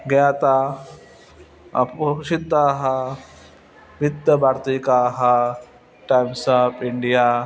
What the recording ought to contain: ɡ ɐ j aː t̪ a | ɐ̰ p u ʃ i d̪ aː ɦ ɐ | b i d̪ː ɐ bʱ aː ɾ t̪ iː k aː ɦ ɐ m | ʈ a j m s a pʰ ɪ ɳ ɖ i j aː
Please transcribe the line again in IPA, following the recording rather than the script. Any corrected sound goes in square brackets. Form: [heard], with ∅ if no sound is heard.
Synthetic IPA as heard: ɡ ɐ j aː t̪ a | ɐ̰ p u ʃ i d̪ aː ɦ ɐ | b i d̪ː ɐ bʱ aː ɾ t̪ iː k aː ɦ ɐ [∅] | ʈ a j m s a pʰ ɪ ɳ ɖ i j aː